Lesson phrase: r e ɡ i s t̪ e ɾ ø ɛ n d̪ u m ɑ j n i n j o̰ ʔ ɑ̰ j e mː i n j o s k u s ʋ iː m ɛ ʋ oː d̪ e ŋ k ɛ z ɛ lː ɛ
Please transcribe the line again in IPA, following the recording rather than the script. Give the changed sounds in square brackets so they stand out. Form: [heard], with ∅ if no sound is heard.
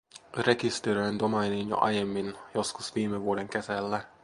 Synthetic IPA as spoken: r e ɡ i s t̪ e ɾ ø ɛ n d̪ [o] m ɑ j n i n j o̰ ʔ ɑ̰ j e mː i n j o s k u s ʋ iː m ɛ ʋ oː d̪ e ŋ k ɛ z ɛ lː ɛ